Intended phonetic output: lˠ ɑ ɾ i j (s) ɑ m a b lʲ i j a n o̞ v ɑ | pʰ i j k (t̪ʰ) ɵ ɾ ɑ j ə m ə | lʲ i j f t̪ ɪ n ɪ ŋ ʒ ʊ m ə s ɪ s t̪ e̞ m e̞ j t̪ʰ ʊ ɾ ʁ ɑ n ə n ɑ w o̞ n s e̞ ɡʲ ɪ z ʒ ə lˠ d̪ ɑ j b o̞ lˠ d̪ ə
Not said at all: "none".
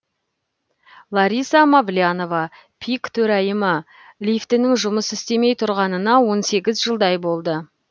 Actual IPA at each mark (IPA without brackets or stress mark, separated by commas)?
s, t̪ʰ